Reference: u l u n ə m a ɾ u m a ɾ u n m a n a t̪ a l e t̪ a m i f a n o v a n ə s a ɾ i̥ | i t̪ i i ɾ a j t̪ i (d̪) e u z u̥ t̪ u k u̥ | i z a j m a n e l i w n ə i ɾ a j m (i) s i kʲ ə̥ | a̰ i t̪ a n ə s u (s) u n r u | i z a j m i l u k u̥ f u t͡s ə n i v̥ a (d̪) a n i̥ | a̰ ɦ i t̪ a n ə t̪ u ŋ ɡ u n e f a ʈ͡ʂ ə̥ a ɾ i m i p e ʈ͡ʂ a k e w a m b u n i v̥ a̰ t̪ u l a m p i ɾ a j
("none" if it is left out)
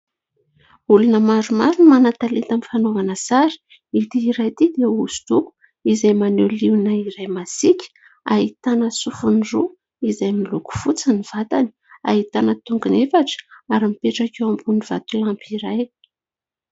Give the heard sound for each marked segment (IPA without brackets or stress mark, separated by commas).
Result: d̪, a, f, t̪